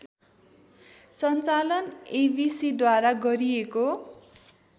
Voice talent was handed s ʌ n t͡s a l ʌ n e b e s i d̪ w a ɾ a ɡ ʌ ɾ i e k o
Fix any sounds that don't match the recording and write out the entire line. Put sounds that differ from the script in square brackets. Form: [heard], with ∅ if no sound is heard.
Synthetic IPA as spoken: s ʌ n t͡s a l ʌ n e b [i] s i d̪ w a ɾ a ɡ ʌ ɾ i e k o